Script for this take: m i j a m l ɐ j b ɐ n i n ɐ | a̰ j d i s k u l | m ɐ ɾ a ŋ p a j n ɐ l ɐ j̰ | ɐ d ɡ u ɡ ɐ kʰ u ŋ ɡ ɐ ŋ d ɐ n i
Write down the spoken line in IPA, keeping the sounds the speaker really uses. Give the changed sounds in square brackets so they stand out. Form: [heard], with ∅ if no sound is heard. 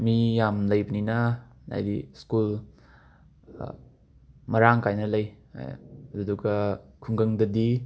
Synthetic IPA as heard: m i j a m l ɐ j b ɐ n i n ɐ | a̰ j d i s k u l | m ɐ ɾ a ŋ [k] a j n ɐ l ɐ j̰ | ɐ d [d] u ɡ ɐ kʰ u ŋ ɡ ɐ ŋ d ɐ [d] i